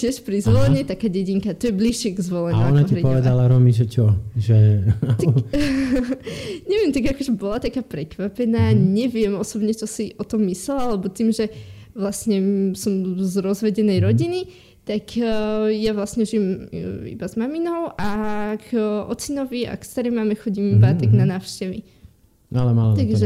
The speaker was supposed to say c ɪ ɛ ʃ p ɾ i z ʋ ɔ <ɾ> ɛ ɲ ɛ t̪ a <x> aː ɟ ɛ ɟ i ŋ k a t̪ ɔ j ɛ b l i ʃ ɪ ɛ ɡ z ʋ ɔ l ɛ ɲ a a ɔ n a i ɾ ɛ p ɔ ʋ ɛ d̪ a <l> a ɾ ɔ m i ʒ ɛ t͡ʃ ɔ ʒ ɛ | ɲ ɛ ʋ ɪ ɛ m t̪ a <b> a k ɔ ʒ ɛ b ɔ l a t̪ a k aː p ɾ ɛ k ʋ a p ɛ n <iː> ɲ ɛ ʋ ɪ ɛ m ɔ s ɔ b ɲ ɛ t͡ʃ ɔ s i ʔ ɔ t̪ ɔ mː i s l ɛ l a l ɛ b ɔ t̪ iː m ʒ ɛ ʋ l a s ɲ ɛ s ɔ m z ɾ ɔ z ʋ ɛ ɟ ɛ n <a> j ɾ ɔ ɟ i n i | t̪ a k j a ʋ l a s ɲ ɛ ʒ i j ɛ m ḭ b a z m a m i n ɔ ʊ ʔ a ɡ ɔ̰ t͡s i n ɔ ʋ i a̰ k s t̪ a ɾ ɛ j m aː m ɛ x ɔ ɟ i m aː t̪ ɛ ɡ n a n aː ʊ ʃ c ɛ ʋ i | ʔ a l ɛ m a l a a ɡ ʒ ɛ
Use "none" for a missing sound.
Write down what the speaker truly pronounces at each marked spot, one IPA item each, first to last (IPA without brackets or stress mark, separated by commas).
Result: l, k, l, ɡ, aː, ɛ